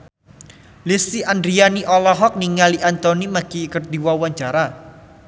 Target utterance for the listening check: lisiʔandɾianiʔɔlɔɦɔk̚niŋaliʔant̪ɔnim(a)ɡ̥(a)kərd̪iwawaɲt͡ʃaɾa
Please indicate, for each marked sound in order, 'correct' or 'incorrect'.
correct, incorrect: i

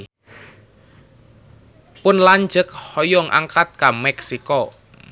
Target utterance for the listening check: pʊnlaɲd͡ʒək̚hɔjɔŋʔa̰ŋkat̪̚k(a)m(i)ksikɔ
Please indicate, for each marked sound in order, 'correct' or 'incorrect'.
correct, incorrect: ɛ

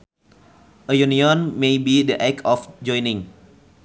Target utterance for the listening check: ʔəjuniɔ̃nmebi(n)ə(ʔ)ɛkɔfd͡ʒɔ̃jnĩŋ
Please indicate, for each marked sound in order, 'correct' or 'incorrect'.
incorrect: d, correct

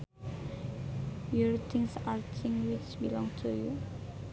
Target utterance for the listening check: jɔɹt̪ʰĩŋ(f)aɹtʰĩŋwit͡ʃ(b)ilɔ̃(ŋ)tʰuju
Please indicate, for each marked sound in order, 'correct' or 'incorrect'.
incorrect: s, correct, correct

